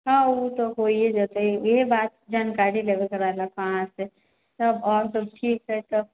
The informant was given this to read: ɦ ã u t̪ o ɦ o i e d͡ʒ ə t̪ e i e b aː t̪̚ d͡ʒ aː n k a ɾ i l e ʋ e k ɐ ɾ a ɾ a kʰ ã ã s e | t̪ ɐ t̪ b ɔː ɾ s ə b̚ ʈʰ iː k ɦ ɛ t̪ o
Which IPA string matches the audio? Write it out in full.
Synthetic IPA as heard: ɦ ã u t̪ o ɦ o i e d͡ʒ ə t̪ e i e b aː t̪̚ d͡ʒ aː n k a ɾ i l e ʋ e k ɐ ɾ a l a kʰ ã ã s e | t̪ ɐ b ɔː ɾ s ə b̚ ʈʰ iː k ɦ ɛ t̪ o